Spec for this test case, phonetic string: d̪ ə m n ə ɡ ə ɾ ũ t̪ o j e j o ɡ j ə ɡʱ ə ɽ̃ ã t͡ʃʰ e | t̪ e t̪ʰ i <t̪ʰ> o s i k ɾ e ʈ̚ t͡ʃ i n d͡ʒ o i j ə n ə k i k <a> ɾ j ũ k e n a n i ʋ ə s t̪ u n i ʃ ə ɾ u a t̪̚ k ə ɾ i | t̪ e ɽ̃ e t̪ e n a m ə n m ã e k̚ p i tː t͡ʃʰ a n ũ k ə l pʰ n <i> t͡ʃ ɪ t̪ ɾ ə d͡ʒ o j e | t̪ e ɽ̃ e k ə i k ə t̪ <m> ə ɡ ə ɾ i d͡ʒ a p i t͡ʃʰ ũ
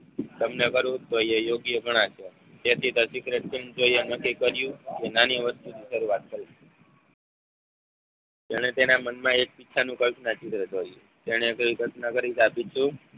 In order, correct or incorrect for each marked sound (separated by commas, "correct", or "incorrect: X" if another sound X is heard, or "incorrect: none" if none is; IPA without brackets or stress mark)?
incorrect: t̪, incorrect: ə, incorrect: a, incorrect: n